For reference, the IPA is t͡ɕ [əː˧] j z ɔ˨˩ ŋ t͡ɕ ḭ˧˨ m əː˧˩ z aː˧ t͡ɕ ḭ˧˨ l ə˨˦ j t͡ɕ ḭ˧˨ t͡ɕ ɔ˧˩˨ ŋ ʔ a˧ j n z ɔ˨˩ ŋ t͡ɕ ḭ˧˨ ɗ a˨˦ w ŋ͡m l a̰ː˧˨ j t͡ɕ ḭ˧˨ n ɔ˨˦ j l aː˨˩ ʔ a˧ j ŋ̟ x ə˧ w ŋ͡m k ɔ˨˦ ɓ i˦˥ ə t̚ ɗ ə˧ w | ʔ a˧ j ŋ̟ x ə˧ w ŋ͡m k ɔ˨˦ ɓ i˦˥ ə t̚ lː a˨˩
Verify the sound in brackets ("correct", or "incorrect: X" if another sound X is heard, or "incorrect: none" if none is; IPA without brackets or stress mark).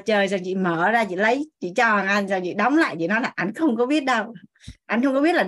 incorrect: əː˨˩